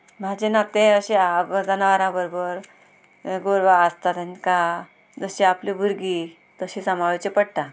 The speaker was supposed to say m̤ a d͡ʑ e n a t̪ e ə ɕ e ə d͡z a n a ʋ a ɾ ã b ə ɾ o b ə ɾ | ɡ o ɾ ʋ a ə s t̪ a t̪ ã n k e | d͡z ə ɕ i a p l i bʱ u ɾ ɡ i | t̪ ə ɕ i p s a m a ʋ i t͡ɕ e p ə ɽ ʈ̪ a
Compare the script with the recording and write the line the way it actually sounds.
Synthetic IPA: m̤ a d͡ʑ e n a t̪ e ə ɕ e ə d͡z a n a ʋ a ɾ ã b ə ɾ o b ə ɾ | ɡ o ɾ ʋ a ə s t̪ a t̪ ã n k a | d͡z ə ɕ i a p l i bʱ u ɾ ɡ i | t̪ ə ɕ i s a m a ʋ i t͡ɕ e p ə ɽ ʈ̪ a